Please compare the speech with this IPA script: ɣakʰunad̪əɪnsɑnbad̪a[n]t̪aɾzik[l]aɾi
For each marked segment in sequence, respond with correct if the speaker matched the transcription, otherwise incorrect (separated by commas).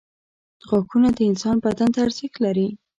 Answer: correct, correct